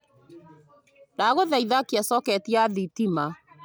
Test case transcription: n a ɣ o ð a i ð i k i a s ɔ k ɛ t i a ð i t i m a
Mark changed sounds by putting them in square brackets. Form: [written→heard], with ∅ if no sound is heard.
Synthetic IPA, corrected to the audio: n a ɣ o ð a i ð [i→a] k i a s ɔ k ɛ t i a ð i t i m a